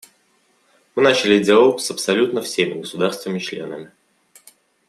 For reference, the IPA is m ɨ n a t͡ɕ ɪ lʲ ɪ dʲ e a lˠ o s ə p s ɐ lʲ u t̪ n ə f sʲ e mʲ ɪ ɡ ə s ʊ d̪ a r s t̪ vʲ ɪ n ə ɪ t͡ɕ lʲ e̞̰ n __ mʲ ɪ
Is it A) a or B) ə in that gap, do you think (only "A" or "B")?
B